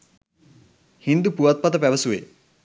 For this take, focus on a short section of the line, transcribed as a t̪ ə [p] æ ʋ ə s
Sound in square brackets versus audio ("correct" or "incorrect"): correct